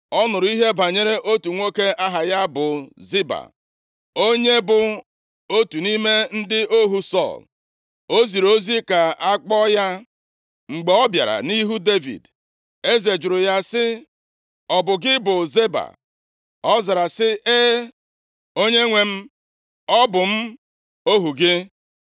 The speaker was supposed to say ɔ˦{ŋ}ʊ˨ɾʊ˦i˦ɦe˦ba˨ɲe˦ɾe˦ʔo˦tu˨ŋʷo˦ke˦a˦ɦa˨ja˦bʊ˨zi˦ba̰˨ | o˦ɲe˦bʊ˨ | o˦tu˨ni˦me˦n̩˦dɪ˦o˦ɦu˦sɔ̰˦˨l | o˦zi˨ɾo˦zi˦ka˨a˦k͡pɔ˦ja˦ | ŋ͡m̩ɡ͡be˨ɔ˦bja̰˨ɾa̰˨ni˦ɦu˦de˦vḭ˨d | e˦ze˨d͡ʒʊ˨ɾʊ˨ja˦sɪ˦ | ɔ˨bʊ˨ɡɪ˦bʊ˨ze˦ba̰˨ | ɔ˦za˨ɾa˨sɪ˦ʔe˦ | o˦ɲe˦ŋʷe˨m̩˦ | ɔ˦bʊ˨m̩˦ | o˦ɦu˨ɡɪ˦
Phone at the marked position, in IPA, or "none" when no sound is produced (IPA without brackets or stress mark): n